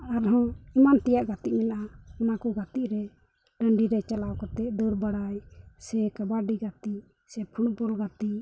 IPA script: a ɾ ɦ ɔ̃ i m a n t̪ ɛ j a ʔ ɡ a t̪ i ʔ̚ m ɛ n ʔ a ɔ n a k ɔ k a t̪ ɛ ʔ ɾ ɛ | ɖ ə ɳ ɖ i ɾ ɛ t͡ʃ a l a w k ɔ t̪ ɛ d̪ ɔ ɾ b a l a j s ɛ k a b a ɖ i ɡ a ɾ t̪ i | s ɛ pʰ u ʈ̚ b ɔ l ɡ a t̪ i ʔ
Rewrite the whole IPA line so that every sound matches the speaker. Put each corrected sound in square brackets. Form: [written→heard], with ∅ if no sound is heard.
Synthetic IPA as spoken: a ɾ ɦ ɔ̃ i m a n t̪ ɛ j a ʔ ɡ a t̪ i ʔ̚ m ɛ n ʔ a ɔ n a k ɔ [k→ɡ] a t̪ [ɛ→i] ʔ ɾ ɛ | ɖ ə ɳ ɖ i ɾ ɛ t͡ʃ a l a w k ɔ t̪ ɛ d̪ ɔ ɾ b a [l→ɽ] a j s ɛ k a b a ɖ i ɡ a [ɾ→∅] t̪ i | s ɛ pʰ u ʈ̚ b ɔ l ɡ a t̪ i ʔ

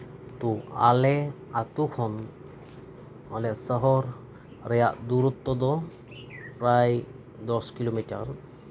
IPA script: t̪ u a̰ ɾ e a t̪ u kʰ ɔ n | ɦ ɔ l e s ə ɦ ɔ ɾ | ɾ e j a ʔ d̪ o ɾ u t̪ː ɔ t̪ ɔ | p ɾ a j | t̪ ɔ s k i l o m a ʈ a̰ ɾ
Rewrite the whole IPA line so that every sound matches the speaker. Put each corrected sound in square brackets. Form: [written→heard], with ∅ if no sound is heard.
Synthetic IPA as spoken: t̪ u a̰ [ɾ→l] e a t̪ u kʰ ɔ n | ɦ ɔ l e s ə ɦ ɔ ɾ | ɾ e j a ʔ d̪ [o→u] ɾ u t̪ː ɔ [t̪→d̪] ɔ | p ɾ a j | [t̪→d̪] ɔ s k i l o m [a→i] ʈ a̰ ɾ

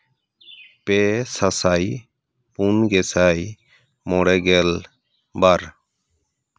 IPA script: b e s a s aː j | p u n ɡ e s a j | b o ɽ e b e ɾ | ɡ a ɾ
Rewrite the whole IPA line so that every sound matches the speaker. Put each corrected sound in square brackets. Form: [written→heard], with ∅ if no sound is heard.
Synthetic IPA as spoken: [b→p] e s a s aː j | p u n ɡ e s a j | [b→m] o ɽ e [b→ɡ] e [ɾ→l] | [ɡ→b] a ɾ

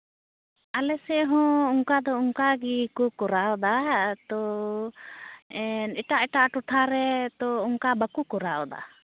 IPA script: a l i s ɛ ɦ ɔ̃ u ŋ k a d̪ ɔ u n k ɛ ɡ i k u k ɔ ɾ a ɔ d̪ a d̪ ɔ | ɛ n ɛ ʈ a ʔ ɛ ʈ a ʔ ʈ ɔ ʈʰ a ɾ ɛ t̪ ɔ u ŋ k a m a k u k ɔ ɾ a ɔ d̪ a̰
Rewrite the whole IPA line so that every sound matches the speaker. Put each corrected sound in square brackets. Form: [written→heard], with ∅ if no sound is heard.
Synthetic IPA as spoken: a l [i→ɛ] s ɛ ɦ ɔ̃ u ŋ k a d̪ ɔ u [n→ŋ] k [ɛ→a] ɡ i k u k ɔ ɾ a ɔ d̪ a [d̪→t̪] ɔ | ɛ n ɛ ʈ a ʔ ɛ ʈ a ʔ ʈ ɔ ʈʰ a ɾ ɛ t̪ ɔ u ŋ k a [m→b] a k u k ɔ ɾ a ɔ d̪ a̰

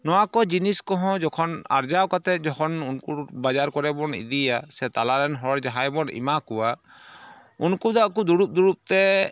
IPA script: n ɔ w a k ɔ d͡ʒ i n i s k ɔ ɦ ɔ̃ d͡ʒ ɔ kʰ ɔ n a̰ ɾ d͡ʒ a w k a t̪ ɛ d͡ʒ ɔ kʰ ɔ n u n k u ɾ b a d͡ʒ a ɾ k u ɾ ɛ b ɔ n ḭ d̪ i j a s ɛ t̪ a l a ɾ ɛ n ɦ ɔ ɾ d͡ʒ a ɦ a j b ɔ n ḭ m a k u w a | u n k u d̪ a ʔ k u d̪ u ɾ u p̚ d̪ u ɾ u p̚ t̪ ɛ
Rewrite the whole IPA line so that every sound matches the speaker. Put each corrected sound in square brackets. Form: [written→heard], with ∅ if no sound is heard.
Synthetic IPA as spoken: n ɔ w a k ɔ d͡ʒ i n i s k ɔ ɦ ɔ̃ d͡ʒ ɔ kʰ ɔ n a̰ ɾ d͡ʒ a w k a t̪ ɛ d͡ʒ ɔ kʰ ɔ n u n k u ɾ b a d͡ʒ a ɾ k [u→ɔ] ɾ ɛ b ɔ n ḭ d̪ i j a s ɛ t̪ a l a ɾ ɛ n ɦ ɔ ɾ d͡ʒ a ɦ a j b ɔ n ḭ m a k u w a | u n k u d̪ a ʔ k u d̪ u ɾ u p̚ d̪ u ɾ u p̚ t̪ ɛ

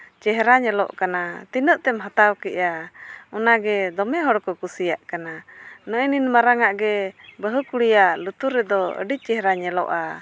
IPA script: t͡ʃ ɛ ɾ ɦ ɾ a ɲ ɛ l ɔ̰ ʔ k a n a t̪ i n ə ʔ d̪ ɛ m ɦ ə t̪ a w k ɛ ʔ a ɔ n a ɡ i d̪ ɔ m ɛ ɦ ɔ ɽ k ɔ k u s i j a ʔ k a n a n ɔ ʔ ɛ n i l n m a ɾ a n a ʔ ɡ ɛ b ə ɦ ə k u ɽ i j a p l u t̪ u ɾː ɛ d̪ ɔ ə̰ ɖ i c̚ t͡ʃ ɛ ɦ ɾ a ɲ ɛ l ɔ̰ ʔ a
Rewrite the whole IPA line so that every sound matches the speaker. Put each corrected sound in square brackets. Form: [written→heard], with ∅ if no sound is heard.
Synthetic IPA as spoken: t͡ʃ ɛ [ɾ→∅] ɦ ɾ a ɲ ɛ l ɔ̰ ʔ k a n a t̪ i n ə ʔ [d̪→t̪] ɛ m ɦ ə t̪ a w k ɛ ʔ a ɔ n a ɡ [i→ɛ] d̪ ɔ m ɛ ɦ ɔ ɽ k ɔ k u s i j a ʔ k a n a n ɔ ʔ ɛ n i [l→∅] n m a ɾ a [n→ŋ] a ʔ ɡ ɛ b ə ɦ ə k u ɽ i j a [p→ʔ] l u t̪ u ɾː ɛ d̪ ɔ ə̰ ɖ i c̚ t͡ʃ ɛ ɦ ɾ a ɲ ɛ l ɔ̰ ʔ a

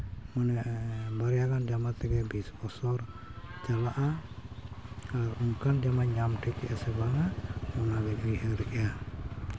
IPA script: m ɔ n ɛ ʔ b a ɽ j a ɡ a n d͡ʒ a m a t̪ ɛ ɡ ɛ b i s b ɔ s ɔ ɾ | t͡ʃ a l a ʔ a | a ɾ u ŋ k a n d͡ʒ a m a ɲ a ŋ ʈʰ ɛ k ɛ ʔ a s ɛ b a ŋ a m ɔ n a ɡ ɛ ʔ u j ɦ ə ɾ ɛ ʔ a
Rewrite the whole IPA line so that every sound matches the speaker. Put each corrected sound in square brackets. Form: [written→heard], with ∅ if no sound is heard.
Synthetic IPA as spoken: m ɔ n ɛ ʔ b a [ɽ→ɾ] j a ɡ a n d͡ʒ a m a t̪ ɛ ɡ ɛ b i s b ɔ s ɔ ɾ | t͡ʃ a l a ʔ a | a ɾ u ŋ k a n d͡ʒ a m a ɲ a [ŋ→m] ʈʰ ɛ k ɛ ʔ a s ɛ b a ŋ a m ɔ n a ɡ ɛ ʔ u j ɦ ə ɾ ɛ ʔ a

